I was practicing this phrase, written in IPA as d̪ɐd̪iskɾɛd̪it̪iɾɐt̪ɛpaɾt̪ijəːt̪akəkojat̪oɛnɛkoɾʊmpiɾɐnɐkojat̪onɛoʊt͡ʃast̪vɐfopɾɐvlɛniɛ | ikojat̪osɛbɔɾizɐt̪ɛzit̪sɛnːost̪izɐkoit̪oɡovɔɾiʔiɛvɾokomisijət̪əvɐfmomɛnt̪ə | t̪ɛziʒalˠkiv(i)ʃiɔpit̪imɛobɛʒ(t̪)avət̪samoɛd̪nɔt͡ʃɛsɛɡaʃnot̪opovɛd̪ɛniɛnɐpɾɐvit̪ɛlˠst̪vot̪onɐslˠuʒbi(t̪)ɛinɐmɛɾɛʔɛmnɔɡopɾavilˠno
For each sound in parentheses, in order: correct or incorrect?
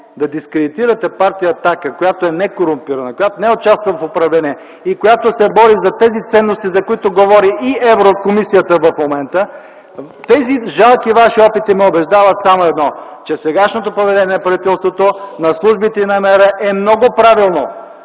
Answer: incorrect, incorrect, correct

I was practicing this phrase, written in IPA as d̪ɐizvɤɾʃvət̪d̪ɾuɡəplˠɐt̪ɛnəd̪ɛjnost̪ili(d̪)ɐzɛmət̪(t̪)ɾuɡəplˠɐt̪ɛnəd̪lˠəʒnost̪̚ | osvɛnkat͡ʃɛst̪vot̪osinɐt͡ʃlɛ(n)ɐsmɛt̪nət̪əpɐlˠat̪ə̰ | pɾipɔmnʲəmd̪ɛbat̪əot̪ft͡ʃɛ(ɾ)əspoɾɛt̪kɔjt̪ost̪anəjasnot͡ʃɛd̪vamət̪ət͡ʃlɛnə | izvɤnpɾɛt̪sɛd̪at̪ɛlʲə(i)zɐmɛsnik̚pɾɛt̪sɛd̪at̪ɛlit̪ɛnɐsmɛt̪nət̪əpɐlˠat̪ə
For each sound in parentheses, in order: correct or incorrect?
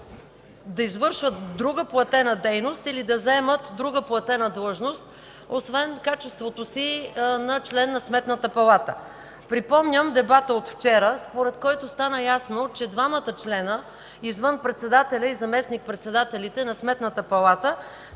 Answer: correct, incorrect, incorrect, correct, correct

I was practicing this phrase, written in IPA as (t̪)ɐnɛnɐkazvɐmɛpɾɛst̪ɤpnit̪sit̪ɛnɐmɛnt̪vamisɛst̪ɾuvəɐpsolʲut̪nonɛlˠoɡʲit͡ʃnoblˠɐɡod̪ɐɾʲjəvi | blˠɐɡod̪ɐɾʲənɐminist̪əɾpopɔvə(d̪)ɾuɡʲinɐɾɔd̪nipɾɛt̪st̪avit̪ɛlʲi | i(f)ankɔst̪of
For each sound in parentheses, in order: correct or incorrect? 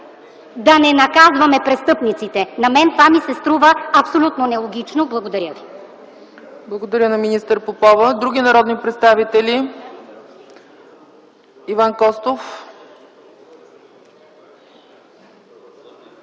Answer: incorrect, correct, incorrect

